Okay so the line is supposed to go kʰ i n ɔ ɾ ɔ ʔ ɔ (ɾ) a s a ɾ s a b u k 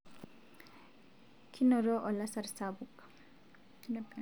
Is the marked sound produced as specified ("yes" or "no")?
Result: no